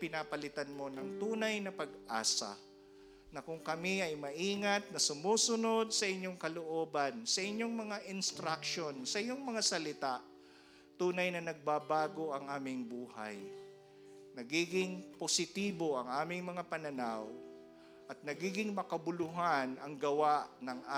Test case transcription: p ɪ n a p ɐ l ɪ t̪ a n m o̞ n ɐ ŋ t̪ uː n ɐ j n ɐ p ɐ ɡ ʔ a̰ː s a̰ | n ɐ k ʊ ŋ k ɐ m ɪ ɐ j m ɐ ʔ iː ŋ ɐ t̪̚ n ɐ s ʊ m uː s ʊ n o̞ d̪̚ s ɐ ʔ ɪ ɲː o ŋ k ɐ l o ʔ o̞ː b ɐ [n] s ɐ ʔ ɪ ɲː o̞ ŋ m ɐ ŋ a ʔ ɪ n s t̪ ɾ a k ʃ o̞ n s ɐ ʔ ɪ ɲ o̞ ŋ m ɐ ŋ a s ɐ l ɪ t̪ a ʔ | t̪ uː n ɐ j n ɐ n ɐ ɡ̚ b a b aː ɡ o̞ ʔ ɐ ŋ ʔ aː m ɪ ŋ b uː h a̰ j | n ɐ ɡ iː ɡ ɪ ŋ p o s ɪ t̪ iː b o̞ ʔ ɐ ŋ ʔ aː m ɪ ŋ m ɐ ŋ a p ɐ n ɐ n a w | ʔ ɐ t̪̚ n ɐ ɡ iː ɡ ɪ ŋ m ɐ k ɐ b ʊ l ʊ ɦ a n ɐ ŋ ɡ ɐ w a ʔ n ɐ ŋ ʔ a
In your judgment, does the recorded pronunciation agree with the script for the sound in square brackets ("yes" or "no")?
yes